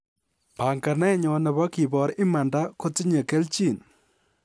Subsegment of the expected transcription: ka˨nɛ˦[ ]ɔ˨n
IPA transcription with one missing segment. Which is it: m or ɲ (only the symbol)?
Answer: ɲ